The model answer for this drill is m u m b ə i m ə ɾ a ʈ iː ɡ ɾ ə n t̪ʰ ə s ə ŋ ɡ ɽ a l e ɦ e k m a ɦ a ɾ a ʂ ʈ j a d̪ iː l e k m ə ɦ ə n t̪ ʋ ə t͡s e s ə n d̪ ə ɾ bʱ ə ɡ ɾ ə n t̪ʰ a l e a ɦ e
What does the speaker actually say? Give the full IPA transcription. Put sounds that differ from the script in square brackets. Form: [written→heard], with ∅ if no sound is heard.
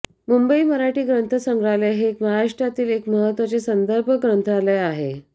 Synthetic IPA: m u m b ə i m ə ɾ a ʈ iː ɡ ɾ ə n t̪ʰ ə s ə ŋ ɡ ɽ a l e ɦ e k m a ɦ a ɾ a ʂ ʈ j a [d̪→t̪] iː l e k m ə ɦ ə [n→∅] t̪ ʋ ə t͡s e s ə n d̪ ə ɾ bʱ ə ɡ ɾ ə n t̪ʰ a l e a ɦ e